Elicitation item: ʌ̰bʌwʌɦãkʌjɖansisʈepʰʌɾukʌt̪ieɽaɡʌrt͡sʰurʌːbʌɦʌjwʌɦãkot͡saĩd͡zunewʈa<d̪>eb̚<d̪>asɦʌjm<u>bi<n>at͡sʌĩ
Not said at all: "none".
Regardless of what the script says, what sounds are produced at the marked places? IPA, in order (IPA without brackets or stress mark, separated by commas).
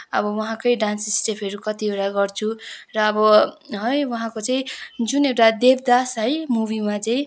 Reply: d̪, d̪, u, m